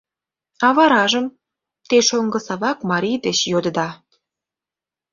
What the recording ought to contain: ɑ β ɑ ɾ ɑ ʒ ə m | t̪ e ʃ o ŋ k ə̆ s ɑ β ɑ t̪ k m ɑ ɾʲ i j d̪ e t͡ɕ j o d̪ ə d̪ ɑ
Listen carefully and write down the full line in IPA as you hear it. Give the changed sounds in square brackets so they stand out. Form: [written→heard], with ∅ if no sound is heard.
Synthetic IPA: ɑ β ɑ ɾ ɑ ʒ ə m | t̪ e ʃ o ŋ [k→ɡ] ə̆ s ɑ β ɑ [t̪→∅] k m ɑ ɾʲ i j d̪ e t͡ɕ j o d̪ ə d̪ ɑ